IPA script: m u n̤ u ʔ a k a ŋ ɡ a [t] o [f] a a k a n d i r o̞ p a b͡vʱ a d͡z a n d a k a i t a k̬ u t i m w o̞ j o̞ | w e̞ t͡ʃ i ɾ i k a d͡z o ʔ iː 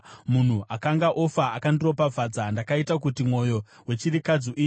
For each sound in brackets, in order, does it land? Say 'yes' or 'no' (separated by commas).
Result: no, yes